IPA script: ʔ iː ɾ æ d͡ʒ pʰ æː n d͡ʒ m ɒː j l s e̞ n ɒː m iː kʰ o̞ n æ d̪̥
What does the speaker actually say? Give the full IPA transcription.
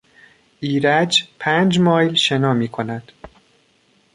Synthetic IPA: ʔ iː ɾ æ d͡ʒ pʰ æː n d͡ʒ m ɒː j l ʃ e̞ n ɒː m iː kʰ o̞ n æ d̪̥